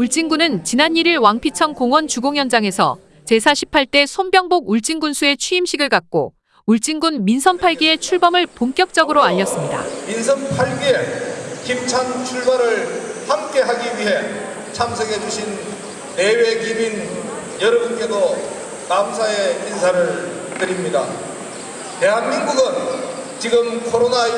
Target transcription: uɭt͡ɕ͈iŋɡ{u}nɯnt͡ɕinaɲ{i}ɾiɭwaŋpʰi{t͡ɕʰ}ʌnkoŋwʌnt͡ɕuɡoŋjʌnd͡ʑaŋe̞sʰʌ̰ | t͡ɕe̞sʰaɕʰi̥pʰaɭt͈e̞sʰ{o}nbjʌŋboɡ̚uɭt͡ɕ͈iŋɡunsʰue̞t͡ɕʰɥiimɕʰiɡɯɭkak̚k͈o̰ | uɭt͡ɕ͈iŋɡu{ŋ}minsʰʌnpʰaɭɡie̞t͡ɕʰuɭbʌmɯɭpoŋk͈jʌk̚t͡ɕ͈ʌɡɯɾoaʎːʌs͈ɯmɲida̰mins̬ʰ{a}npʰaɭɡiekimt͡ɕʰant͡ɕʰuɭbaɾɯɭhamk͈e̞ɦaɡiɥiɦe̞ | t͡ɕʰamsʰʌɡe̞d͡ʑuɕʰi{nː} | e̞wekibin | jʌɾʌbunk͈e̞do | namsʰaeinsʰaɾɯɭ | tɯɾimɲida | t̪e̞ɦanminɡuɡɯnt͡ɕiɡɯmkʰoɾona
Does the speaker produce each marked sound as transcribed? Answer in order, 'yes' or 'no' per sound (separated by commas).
yes, yes, yes, yes, no, no, yes